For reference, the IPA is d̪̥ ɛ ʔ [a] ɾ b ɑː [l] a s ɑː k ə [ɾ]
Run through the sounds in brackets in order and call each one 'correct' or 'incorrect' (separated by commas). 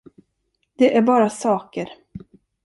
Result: incorrect, incorrect, correct